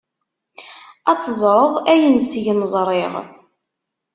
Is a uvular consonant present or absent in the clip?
present